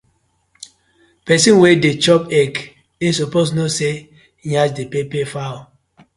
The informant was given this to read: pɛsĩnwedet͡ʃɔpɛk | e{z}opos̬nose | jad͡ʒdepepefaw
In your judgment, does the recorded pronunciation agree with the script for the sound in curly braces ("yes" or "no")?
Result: no